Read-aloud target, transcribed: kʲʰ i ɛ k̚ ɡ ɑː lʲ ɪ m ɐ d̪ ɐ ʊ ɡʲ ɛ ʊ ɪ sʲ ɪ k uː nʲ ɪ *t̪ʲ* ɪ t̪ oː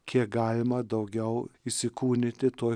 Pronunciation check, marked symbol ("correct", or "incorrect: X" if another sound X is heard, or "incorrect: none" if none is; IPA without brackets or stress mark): correct